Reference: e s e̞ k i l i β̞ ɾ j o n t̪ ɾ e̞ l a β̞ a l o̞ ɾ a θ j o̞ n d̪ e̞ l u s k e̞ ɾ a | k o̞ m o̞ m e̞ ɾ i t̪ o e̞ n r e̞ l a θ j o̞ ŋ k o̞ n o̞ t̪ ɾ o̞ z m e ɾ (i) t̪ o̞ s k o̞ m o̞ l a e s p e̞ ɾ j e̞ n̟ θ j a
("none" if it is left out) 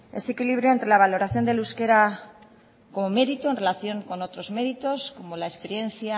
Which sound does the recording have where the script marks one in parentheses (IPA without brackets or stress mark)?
i